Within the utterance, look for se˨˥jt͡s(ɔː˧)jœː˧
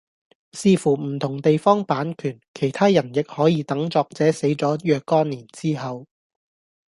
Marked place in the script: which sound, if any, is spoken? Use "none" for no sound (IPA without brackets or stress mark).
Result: ɔː˨˥